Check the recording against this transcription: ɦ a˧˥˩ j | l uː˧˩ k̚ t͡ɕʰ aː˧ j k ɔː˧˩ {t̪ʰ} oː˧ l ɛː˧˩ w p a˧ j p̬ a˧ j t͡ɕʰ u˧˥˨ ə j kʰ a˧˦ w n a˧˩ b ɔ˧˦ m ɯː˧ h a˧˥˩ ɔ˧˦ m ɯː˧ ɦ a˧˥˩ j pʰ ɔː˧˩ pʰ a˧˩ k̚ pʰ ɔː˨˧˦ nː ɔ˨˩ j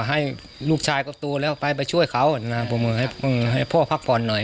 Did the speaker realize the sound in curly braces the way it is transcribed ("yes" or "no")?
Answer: no